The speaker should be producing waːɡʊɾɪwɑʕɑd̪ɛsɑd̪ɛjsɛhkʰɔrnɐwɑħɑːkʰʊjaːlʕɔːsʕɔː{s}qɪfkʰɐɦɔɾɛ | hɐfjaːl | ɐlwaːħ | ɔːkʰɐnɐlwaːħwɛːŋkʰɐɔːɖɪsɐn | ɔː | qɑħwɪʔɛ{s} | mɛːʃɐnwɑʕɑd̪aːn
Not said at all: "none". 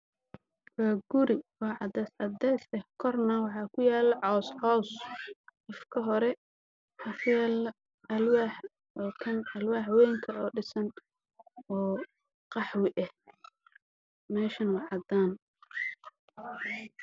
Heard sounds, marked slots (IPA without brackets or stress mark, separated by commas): s, h